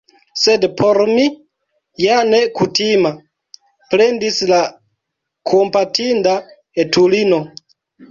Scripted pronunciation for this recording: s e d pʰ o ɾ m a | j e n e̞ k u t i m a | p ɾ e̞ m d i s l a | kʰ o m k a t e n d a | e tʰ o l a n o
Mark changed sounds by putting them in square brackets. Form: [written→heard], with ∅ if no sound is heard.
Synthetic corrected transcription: s e d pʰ o ɾ m [a→i] | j [e→a] n e̞ k u t i m a | p ɾ e̞ [m→n] d i s l a | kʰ o m [k→p] a t [e→i] n d a | e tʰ [o→u] l [a→i] n o

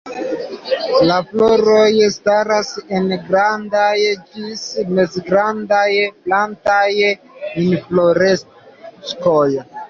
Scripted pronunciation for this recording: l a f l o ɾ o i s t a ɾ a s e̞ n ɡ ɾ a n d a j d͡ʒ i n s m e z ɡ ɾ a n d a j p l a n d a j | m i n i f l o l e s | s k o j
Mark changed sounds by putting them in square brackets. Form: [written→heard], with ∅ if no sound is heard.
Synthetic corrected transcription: l a f l o ɾ o [i→j] s t a ɾ a s e̞ n ɡ ɾ a n d a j d͡ʒ i [n→∅] s m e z ɡ ɾ a n d a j p l a n [d→t] a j | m i n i f l o [l→ɾ] e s | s k o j

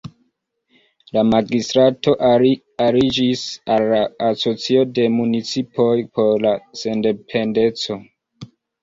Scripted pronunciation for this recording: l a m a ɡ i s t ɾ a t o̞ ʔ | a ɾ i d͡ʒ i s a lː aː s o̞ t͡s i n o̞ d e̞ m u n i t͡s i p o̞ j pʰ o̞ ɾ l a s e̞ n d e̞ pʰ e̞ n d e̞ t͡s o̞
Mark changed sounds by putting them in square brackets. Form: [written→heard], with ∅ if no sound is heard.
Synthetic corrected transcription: l a m a ɡ i s t ɾ a t o̞ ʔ | a ɾ i d͡ʒ i s a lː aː s o̞ t͡s i [n→∅] o̞ d e̞ m u n i t͡s i p o̞ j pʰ o̞ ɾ l a s e̞ n d e̞ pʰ e̞ n d e̞ t͡s o̞

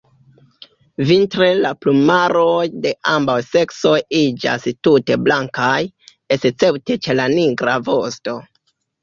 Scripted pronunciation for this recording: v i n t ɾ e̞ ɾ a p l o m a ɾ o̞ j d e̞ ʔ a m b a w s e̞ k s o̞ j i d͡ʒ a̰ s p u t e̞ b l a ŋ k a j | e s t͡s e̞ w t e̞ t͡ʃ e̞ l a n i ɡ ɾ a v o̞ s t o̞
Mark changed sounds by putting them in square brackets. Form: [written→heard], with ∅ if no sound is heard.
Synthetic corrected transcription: v i n t ɾ e̞ [ɾ→l] a p l [o→u] m a ɾ o̞ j d e̞ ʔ a m b a w s e̞ k s o̞ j i d͡ʒ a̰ s [p→t] u t e̞ b l a ŋ k a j | e s t͡s e̞ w t e̞ t͡ʃ e̞ l a n i ɡ ɾ a v o̞ s t o̞

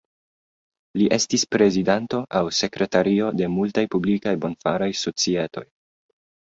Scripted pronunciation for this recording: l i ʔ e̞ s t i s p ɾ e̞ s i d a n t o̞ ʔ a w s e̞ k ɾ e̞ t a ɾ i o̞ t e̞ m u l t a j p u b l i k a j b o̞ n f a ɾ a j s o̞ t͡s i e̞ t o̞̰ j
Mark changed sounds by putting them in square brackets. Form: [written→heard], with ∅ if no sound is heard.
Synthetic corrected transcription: l i ʔ e̞ s t i s p ɾ e̞ [s→z] i d a n t o̞ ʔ a w s e̞ k ɾ e̞ t a ɾ i o̞ [t→d] e̞ m u l t a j p u b l i k a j b o̞ n f a ɾ a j s o̞ t͡s i e̞ t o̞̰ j

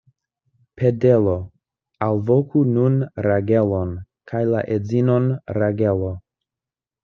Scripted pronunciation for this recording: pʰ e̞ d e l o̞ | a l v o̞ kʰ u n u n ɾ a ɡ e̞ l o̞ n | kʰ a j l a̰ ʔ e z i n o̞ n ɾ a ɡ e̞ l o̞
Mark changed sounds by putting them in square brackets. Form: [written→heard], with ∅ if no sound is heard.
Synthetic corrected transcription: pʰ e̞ d e l o̞ | a l v o̞ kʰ u n u n ɾ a ɡ e̞ l o̞ n | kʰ a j l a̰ ʔ e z i n o̞ n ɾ a ɡ e̞ l o̞

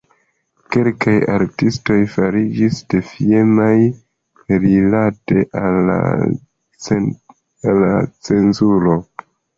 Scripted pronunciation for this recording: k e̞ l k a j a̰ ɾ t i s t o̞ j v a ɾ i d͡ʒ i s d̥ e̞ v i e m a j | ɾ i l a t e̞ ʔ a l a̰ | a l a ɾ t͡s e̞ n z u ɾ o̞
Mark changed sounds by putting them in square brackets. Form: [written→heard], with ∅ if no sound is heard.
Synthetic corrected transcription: k e̞ l k a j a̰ ɾ t i s t o̞ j [v→f] a ɾ i d͡ʒ i s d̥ e̞ [v→f] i e m a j | ɾ i l a t e̞ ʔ a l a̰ | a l a [ɾ→∅] t͡s e̞ n z u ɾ o̞

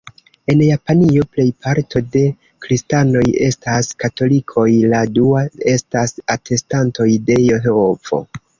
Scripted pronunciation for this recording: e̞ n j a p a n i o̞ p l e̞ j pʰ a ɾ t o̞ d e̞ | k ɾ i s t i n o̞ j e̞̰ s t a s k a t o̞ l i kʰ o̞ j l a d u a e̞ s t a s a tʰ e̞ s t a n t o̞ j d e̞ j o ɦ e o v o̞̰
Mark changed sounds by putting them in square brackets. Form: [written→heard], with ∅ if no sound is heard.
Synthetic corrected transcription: e̞ n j a p a n i o̞ p l e̞ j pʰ a ɾ t o̞ d e̞ | k ɾ i s t [i→a] n o̞ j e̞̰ s t a s k a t o̞ l i kʰ o̞ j l a d u a e̞ s t a s a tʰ e̞ s t a n t o̞ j d e̞ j o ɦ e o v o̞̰

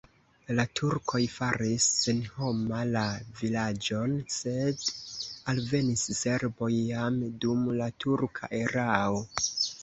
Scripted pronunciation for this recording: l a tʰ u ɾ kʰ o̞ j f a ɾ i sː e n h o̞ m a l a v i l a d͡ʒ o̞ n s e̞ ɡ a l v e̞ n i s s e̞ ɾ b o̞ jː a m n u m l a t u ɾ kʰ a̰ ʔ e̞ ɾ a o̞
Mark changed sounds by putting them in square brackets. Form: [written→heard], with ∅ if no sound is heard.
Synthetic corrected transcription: l a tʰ u ɾ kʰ o̞ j f a ɾ i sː e n h o̞ m a l a v i l a d͡ʒ o̞ n s e̞ [ɡ→d] a l v e̞ n i s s e̞ ɾ b o̞ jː a m [n→d] u m l a t u ɾ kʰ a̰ ʔ e̞ ɾ a o̞

